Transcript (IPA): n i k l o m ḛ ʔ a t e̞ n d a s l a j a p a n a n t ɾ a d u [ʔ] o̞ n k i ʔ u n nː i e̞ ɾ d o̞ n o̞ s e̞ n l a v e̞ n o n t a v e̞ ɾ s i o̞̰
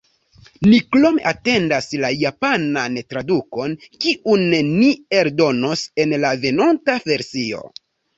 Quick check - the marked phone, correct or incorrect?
incorrect